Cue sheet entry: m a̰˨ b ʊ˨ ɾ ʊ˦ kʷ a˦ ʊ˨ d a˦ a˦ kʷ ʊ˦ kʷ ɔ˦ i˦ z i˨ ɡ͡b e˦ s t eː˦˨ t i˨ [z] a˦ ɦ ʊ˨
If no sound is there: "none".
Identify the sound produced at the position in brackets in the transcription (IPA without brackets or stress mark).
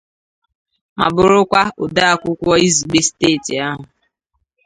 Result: none